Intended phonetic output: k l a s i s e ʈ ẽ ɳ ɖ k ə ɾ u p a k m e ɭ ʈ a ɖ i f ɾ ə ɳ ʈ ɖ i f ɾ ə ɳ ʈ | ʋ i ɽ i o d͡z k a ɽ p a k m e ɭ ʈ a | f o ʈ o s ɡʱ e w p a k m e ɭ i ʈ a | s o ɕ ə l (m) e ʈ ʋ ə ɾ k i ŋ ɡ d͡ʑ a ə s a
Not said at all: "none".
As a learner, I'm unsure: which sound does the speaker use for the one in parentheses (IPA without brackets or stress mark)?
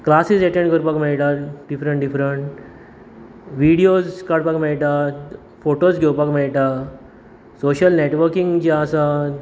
n